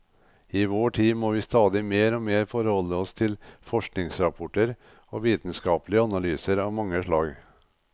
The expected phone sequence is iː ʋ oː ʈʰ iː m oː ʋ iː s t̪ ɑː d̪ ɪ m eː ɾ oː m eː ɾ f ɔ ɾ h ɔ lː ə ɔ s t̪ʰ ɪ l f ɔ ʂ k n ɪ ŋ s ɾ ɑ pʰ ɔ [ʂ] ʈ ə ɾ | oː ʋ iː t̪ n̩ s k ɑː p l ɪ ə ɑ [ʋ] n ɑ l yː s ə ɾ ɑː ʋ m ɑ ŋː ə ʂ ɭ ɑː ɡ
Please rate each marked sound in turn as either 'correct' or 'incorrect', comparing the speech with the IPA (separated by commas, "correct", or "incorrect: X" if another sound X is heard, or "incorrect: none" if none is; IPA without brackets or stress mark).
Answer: incorrect: none, incorrect: none